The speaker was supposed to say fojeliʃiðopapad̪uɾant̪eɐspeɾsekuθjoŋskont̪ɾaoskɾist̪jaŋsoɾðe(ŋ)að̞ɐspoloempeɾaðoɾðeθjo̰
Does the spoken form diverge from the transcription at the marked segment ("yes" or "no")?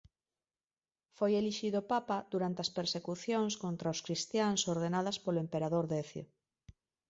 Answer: yes